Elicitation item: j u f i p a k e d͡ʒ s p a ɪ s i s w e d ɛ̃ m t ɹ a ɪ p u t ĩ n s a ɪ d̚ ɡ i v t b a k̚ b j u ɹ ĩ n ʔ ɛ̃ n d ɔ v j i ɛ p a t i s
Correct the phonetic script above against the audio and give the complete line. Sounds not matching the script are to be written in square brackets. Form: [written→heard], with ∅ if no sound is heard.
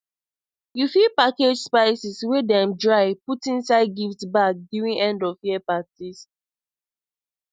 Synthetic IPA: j u f i p a k e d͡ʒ s p a ɪ s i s w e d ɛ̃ m [t→d] ɹ a ɪ p u t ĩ n s a ɪ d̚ ɡ i [v→f] t b a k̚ [b→d] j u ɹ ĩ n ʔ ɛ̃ n d ɔ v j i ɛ p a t i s